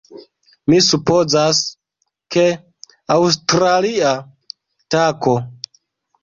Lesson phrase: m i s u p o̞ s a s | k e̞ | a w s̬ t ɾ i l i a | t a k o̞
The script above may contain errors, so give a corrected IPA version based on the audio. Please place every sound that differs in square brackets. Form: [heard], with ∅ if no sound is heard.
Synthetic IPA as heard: m i s u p o̞ [z] a s | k e̞ | a w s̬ t ɾ [a] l i a | t a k o̞